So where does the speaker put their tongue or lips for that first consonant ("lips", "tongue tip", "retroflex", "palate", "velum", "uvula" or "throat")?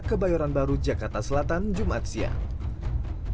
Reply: velum